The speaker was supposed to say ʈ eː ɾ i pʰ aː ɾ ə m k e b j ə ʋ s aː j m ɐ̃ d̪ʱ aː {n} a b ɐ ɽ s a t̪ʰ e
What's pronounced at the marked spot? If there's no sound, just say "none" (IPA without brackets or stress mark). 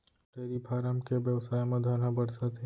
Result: n